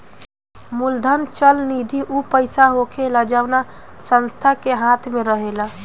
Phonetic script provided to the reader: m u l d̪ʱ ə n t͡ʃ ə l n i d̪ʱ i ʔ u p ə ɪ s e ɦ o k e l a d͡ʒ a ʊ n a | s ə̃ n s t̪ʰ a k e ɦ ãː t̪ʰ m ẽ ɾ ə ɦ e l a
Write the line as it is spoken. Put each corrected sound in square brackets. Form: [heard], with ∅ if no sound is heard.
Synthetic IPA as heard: m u l d̪ʱ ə n t͡ʃ ə l n i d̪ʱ i ʔ u p ə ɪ s [a] ɦ o k e l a d͡ʒ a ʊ n a | s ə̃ n s t̪ʰ a k e ɦ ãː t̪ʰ m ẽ ɾ ə ɦ e l a